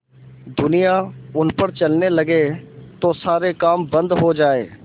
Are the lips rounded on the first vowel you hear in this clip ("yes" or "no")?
yes